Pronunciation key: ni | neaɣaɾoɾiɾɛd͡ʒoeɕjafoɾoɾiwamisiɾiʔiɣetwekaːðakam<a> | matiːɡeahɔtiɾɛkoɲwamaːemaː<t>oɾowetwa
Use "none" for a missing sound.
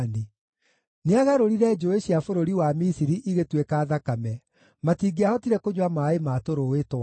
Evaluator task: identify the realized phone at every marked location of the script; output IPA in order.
ɛ, t

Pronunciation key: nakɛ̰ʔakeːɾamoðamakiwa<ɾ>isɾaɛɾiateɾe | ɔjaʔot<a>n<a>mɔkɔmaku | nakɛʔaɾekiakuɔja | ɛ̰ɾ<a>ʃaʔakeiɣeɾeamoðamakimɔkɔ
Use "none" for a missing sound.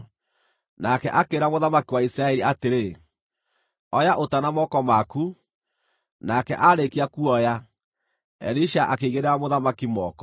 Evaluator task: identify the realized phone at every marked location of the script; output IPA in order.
none, a, a, i

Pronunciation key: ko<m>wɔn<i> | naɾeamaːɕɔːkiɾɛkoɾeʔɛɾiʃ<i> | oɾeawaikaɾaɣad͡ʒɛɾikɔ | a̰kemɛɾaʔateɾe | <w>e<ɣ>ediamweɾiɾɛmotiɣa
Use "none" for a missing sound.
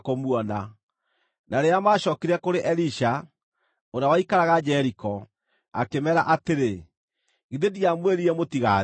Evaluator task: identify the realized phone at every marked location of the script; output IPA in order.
m, a, a, ɣ, ð

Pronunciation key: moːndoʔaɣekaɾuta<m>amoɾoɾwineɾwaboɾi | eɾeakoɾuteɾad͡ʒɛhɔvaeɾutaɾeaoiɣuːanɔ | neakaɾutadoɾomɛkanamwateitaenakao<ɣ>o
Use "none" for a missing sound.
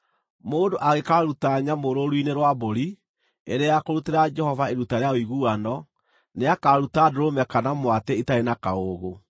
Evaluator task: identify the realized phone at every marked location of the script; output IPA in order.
ɲ, ɣ

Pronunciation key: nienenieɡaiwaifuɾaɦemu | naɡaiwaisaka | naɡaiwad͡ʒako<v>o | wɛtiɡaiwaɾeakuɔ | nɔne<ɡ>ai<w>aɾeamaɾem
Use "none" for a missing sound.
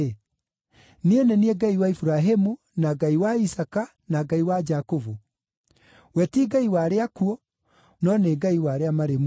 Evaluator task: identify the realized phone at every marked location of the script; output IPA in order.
v, ɡ, w

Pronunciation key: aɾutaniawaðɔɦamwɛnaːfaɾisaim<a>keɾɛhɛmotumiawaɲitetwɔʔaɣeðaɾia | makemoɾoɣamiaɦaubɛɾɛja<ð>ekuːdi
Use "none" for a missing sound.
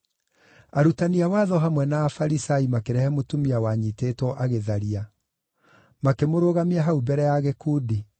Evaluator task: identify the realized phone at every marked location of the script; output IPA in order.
a, ɣ

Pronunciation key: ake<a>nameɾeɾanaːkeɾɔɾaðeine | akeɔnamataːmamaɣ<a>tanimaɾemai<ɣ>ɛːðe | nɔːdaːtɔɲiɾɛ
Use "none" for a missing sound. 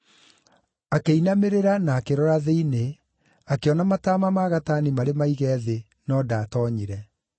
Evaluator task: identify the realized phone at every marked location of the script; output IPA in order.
i, a, ɣ

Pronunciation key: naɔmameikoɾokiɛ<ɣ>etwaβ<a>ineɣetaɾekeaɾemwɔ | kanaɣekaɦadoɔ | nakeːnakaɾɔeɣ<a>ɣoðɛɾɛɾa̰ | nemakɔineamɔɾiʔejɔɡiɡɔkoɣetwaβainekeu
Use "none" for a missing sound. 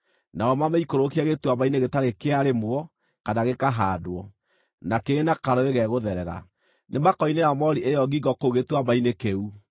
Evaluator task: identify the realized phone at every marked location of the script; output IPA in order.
ɣ, a, ɛ

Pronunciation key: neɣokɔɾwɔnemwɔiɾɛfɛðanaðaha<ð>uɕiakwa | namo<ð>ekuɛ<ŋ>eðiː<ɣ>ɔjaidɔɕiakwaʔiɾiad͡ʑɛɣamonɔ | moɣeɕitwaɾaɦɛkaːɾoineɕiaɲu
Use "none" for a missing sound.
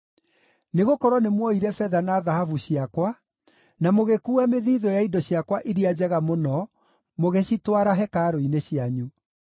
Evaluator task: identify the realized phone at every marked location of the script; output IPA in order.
v, ɣ, m, ð

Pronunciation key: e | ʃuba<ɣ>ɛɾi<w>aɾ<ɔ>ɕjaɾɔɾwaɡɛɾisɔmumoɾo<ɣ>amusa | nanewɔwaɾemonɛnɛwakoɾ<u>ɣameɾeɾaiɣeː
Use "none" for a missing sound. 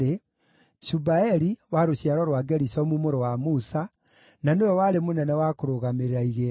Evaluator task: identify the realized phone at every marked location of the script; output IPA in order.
none, w, o, w, o

